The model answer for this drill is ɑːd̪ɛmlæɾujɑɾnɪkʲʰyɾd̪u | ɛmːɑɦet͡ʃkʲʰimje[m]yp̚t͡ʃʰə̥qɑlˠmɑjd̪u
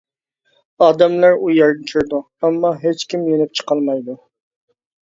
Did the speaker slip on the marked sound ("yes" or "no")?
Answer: yes